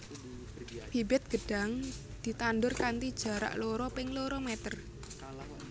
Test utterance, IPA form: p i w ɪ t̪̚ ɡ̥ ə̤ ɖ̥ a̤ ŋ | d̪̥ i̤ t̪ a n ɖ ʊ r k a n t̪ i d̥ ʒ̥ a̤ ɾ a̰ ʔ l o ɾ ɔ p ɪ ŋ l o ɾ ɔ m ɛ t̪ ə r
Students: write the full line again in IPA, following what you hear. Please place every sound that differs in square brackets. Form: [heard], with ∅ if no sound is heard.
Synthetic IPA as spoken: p i [b] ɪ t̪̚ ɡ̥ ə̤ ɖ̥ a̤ ŋ | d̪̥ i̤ t̪ a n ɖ ʊ r k a n t̪ i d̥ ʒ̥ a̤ ɾ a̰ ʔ l o ɾ ɔ p ɪ ŋ l o ɾ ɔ m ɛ t̪ ə r

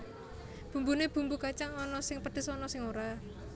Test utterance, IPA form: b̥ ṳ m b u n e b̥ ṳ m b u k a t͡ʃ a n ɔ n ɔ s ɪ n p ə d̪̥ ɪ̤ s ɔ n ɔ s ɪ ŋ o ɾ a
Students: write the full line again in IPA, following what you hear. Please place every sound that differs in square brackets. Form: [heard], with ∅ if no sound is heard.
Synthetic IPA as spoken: b̥ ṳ m b u n e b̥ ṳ m b u k a t͡ʃ a [ŋ] ɔ n ɔ s ɪ [ŋ] p ə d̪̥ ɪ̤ s ɔ n ɔ s ɪ ŋ o ɾ a

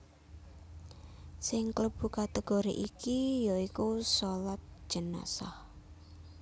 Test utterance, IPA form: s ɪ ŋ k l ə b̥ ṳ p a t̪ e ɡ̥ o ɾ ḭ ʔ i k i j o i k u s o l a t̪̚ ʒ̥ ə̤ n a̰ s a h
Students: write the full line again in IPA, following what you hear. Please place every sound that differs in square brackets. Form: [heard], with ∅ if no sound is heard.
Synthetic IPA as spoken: s ɪ ŋ k l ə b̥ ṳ [k] a t̪ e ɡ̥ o ɾ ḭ ʔ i k i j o i k u s o l a t̪̚ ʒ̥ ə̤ n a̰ s a h

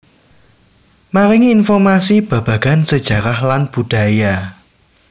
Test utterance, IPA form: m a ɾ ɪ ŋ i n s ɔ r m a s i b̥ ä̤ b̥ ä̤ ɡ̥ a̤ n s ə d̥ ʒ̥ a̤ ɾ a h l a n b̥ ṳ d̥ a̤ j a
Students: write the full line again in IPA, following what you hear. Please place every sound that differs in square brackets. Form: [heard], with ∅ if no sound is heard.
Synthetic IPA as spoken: m a ɾ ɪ ŋ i n [f] ɔ r m a s i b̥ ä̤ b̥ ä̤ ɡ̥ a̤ n s ə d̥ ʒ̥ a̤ ɾ a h l a n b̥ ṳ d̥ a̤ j a

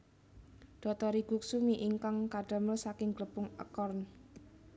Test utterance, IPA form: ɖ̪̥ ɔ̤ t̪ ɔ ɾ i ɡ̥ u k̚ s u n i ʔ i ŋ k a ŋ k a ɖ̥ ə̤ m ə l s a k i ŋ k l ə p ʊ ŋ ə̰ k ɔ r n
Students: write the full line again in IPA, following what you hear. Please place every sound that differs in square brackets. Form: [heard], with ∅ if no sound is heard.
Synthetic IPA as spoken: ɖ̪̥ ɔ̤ t̪ ɔ ɾ i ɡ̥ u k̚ s u [m] i ʔ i ŋ k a ŋ k a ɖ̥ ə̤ m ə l s a k [ɪ] ŋ [ɡ] l ə p ʊ ŋ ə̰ k ɔ r n

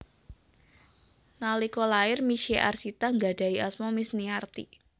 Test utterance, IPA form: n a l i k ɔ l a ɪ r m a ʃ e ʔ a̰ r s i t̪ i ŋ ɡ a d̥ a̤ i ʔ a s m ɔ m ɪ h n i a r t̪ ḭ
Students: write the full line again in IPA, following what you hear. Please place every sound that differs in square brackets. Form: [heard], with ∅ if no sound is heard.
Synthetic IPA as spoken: n a l i k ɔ l a ɪ r m [i] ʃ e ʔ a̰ r s i t̪ [a] ŋ ɡ a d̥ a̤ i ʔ a s m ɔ m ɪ [s] n i a r t̪ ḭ

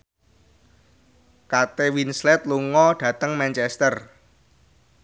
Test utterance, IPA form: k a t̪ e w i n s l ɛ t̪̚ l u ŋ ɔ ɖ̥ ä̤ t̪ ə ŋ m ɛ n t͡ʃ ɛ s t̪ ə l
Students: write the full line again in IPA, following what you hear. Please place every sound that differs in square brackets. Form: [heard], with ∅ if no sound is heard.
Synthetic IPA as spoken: k a t̪ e w i n s l ɛ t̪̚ l u ŋ ɔ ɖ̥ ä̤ t̪ ə ŋ m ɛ n t͡ʃ ɛ s t̪ ə [r]

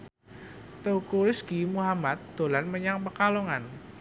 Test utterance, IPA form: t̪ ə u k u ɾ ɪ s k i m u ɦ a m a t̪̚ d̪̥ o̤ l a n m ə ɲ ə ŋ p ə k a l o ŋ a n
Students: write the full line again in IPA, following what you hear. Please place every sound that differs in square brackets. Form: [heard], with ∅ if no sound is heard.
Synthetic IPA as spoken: t̪ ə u k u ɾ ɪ s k i m u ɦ a m a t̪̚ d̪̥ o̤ l a n m ə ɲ [a] ŋ p ə k a l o ŋ a n

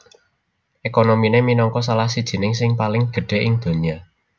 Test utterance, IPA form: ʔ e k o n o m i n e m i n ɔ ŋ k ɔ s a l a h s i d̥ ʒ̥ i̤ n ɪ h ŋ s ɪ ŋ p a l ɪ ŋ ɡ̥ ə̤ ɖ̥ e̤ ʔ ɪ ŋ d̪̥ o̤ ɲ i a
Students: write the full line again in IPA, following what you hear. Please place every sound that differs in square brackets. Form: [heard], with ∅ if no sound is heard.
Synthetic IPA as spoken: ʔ e k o n o m i n e m i n ɔ ŋ k ɔ s a l a h s i d̥ ʒ̥ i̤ n ɪ [∅] ŋ s ɪ ŋ p a l ɪ ŋ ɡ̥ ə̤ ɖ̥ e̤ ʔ ɪ ŋ d̪̥ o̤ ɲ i a

